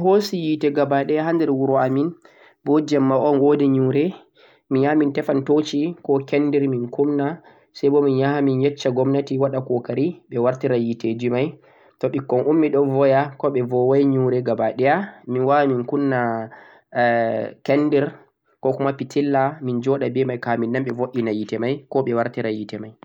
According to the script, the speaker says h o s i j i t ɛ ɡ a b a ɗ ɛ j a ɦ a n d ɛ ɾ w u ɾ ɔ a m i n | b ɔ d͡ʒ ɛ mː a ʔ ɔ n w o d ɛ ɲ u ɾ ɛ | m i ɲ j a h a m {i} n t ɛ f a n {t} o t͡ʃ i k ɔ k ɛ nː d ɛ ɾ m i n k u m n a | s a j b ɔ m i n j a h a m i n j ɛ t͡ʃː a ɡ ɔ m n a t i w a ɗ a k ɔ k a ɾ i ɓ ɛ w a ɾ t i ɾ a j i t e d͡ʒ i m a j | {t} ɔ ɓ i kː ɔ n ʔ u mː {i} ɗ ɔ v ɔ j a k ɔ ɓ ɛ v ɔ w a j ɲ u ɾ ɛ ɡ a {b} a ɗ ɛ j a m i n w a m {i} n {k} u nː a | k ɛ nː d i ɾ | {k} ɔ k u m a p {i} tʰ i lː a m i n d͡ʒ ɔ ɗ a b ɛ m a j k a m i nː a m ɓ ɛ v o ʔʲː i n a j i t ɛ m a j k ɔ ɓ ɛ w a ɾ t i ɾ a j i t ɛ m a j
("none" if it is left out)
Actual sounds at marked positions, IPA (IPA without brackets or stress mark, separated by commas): i, t, t, i, b, i, k, k, i